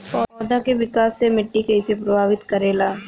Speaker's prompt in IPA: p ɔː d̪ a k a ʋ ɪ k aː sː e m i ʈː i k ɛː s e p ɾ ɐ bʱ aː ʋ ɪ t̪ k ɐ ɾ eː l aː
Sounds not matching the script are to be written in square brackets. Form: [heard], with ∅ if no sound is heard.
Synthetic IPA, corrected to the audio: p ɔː d̪ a k [e] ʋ ɪ k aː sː e m [ɪ] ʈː i k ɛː s e p ɾ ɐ bʱ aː ʋ ɪ t̪ k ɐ ɾ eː l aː